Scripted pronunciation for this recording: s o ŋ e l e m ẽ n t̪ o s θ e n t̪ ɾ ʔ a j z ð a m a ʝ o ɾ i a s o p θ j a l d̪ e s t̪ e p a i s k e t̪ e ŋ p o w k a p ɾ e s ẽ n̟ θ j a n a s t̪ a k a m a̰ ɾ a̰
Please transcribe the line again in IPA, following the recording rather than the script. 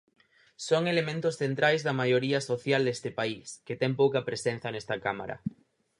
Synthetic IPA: s o ŋ e l e m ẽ n t̪ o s θ e n t̪ ɾ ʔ a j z ð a m a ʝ o ɾ i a s o θ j a l d̪ e s t̪ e p a i s k e t̪ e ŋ p o w k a p ɾ e s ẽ n̟ θ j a n e s t̪ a k a m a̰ ɾ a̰